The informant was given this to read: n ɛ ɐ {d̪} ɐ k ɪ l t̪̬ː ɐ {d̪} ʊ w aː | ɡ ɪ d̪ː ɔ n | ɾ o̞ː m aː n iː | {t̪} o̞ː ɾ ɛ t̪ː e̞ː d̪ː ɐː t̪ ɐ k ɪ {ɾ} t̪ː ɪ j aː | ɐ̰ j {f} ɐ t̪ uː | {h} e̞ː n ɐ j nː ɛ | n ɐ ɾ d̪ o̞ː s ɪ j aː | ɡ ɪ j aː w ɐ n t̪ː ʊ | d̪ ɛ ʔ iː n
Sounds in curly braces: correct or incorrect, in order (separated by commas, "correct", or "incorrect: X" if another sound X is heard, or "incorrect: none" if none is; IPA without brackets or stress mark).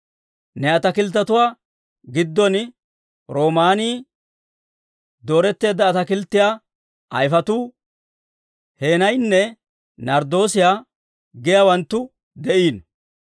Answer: incorrect: t̪, incorrect: t̪, incorrect: d̪, incorrect: l, correct, correct